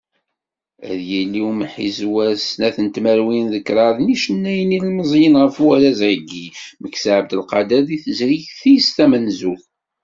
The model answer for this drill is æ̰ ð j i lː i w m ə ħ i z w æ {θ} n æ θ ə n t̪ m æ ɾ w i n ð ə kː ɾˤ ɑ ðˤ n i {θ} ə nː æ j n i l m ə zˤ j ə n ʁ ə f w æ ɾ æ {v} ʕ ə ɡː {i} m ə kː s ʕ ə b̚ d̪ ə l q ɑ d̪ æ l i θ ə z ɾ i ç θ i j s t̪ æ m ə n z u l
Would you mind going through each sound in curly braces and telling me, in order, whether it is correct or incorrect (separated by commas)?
incorrect, incorrect, incorrect, correct